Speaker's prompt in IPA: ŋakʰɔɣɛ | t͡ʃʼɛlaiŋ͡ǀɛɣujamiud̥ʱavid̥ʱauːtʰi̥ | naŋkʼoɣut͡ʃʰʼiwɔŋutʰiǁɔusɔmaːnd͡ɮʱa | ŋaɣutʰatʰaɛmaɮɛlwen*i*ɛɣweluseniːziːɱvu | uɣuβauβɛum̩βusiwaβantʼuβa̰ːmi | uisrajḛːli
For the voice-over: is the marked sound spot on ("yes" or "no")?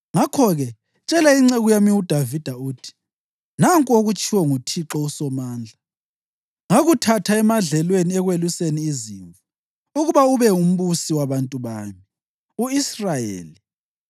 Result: yes